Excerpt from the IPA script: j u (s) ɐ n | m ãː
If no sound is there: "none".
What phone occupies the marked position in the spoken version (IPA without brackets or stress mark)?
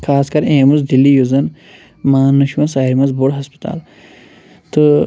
z